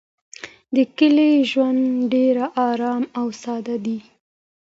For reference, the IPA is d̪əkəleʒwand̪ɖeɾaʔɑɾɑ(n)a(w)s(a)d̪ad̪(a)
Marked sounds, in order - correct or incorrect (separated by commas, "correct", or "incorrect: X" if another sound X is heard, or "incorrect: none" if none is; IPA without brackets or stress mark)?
incorrect: m, correct, incorrect: ɑ, incorrect: i